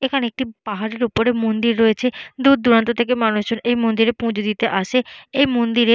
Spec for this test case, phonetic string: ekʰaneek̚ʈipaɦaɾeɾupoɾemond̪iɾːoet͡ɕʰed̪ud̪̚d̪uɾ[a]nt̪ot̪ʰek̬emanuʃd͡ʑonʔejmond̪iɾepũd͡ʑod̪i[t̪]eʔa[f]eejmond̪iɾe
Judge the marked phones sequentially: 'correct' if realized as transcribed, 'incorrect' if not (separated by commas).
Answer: correct, correct, incorrect